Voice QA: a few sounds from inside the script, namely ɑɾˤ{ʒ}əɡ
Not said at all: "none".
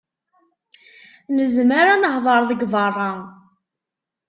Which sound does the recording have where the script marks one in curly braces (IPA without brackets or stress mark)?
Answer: ð